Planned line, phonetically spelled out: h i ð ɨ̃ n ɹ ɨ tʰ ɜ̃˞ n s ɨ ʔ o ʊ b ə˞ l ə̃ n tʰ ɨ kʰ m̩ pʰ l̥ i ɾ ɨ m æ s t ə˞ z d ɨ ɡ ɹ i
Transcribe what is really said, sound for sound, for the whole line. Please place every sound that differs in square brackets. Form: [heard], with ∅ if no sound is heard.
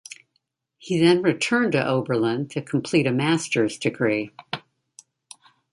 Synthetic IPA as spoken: h i ð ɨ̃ n ɹ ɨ tʰ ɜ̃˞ n [t] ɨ ʔ o ʊ b ə˞ l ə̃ n tʰ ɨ kʰ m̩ pʰ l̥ i ɾ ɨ m æ s t ə˞ z d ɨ ɡ ɹ i